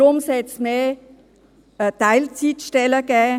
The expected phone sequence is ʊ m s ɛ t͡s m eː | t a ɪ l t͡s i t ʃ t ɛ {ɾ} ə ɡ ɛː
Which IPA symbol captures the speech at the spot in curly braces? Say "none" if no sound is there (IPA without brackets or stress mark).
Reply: l